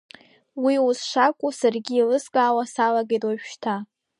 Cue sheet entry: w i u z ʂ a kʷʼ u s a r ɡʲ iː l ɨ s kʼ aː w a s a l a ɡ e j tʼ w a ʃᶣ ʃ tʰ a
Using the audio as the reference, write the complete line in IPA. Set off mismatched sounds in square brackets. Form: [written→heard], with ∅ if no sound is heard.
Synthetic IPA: w i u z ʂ a kʷʼ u s a r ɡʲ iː l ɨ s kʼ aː w a s a l a ɡ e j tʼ w a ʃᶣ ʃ tʰ a